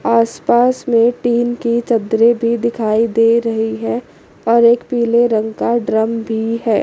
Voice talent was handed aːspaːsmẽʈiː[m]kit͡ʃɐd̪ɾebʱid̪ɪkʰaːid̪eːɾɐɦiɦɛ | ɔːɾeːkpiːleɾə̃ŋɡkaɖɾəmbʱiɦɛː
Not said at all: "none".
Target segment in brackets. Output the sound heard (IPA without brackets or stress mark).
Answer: n